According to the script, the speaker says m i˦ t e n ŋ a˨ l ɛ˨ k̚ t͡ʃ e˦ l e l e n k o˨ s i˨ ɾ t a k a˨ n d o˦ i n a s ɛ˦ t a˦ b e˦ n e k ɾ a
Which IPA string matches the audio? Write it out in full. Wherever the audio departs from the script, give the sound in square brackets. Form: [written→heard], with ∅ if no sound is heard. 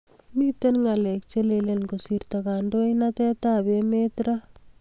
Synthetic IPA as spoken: m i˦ t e n ŋ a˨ l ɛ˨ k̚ t͡ʃ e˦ l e l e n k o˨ s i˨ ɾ t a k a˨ n d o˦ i n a [s→t] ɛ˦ t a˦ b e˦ [n→m] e [k→t] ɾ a

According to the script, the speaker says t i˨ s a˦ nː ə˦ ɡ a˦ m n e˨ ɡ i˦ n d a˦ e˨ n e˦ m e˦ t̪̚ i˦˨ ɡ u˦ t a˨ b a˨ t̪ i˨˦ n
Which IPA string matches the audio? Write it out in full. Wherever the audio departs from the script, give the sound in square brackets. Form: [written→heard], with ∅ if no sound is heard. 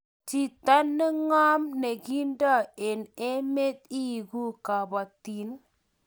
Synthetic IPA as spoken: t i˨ [s→t] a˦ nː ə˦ [ɡ→ŋ] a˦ m n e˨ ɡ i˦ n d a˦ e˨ n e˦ m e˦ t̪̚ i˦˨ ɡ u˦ [t→k] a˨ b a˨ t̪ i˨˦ n

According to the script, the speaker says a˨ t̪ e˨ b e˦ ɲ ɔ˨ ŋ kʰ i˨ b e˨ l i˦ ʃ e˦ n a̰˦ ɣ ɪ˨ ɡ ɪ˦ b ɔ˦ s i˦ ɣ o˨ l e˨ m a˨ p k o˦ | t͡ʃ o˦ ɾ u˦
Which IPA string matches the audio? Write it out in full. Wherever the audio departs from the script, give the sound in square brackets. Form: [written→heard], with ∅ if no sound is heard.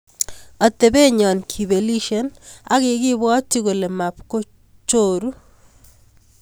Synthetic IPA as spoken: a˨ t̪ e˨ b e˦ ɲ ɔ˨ [ŋ→n] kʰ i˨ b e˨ l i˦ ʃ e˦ n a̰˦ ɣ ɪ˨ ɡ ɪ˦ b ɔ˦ [s→t] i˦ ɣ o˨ l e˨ m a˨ p k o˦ | t͡ʃ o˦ ɾ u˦

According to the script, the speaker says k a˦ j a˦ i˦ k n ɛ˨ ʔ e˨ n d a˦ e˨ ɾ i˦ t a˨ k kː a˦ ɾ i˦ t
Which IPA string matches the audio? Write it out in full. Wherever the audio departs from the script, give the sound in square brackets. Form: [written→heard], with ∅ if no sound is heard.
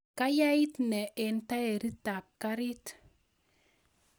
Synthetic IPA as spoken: k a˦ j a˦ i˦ [k→t] n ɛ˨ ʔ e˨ n [d→t] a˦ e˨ ɾ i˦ t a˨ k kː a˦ ɾ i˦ t

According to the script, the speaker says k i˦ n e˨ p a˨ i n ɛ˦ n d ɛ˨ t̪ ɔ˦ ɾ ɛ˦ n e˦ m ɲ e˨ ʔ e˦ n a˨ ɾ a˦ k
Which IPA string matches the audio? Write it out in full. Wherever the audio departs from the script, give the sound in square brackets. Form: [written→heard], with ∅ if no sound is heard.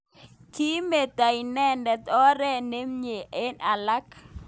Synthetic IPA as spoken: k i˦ [n→m] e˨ [p→t] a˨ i n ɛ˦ n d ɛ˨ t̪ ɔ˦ ɾ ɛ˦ n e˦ m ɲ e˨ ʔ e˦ n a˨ [ɾ→l] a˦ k

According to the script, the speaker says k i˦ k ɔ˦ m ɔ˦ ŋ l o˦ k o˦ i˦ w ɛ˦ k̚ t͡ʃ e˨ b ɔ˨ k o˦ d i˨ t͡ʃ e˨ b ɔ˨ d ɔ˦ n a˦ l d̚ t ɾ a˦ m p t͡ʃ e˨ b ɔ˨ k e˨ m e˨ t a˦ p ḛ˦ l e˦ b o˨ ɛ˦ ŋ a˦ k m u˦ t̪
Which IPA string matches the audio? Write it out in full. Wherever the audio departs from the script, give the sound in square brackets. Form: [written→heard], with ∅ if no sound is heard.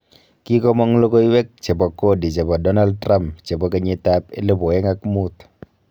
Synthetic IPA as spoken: k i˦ k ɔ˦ m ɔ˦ ŋ l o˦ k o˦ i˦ w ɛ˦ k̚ t͡ʃ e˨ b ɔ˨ k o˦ d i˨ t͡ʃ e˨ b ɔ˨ d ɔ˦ n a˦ l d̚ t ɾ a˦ m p t͡ʃ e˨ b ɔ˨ k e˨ [m→ɲ] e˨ t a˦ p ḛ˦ l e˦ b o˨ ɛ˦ ŋ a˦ k m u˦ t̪

